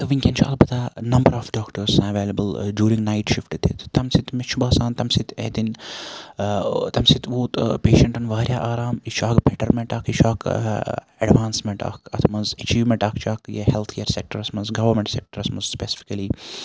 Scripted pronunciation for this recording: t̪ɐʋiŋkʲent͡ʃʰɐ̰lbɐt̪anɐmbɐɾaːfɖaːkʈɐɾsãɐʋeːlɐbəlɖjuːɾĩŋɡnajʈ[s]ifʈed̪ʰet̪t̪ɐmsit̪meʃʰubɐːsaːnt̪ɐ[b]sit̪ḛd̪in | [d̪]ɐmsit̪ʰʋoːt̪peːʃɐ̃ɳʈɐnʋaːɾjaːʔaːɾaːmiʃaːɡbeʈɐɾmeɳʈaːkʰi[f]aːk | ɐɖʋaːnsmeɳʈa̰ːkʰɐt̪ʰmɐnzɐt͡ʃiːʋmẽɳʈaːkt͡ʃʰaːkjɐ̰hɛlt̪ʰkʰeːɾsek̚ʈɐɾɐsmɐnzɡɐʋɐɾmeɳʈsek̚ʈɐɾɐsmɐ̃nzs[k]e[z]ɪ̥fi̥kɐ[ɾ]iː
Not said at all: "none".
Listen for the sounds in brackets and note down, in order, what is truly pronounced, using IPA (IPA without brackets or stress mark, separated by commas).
ʃ, m, t̪, ʃ, p, s, l